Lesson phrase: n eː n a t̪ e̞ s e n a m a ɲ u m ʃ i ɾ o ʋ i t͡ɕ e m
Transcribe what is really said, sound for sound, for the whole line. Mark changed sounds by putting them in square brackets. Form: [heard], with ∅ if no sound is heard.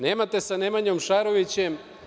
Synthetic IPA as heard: n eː [m] a t̪ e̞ s [a] n [e] m a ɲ [o] m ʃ [a] ɾ o ʋ i t͡ɕ e m